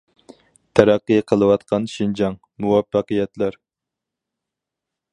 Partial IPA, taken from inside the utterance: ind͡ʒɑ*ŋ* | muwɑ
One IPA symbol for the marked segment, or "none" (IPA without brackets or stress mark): ŋ